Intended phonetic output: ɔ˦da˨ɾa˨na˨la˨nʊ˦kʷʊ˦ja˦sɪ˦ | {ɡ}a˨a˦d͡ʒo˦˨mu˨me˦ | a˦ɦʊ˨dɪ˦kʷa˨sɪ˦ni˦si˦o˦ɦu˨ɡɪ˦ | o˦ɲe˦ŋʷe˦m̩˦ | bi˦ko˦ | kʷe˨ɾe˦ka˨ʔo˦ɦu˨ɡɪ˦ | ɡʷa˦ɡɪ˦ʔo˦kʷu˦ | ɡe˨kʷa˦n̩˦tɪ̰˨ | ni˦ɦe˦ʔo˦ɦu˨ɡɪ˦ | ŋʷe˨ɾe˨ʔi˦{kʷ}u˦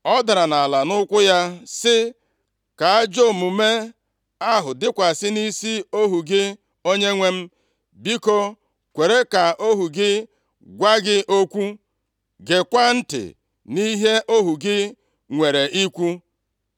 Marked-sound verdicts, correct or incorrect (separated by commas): incorrect, correct